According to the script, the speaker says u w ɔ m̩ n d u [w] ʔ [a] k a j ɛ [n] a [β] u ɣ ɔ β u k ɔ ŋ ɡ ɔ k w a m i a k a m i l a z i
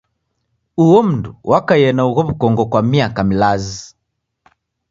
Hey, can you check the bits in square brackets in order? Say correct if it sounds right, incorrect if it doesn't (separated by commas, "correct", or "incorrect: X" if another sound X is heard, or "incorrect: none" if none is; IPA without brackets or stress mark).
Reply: correct, correct, correct, incorrect: none